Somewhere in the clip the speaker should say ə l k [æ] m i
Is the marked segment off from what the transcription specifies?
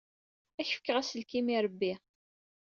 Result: yes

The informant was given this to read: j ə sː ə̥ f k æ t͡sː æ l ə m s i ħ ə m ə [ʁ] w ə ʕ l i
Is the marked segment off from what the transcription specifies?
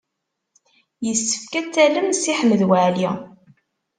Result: yes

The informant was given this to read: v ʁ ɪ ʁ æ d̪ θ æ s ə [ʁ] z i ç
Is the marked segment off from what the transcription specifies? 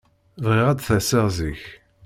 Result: no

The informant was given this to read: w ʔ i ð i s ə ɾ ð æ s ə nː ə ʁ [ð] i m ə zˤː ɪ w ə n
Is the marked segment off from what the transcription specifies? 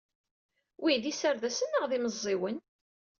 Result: no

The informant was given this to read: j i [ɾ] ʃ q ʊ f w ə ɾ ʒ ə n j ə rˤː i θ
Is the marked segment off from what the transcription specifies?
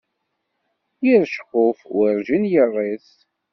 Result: no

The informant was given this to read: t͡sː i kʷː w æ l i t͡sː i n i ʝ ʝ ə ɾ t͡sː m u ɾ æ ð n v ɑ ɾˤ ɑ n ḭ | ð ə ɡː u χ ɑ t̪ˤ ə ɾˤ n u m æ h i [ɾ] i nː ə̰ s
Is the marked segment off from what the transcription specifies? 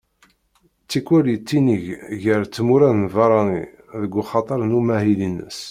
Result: yes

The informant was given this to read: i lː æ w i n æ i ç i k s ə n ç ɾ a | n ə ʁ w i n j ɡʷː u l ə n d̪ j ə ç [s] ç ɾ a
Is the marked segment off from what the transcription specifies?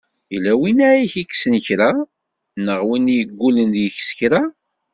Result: no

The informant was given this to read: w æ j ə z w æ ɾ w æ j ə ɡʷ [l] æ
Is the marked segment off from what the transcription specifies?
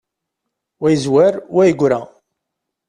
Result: yes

